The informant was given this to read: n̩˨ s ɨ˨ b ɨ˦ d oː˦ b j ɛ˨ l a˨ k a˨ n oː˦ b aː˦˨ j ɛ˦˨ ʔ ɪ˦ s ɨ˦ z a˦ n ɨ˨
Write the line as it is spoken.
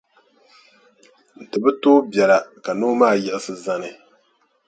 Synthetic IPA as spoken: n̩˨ t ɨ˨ b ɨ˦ t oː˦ b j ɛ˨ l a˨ k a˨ n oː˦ m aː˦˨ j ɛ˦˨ ʔ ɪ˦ s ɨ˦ z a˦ n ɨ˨